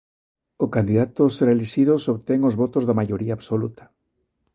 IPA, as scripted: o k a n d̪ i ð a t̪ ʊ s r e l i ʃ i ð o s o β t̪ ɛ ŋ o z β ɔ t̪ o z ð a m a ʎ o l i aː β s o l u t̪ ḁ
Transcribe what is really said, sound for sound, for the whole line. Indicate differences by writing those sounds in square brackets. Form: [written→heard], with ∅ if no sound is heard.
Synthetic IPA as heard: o k a n d̪ i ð a t̪ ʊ s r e l i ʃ i ð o s o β t̪ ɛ ŋ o z β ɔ t̪ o z ð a m a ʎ o [l→ɾ] i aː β s o l u t̪ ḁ